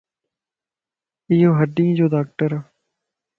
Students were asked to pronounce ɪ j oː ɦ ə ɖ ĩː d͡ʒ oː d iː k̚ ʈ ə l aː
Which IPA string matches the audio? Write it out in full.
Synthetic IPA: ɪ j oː ɦ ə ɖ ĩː d͡ʒ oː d aː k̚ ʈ ə ɾ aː